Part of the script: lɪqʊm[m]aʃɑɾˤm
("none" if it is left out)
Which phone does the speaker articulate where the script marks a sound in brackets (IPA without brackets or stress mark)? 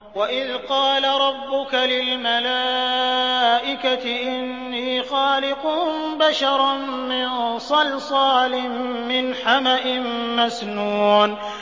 b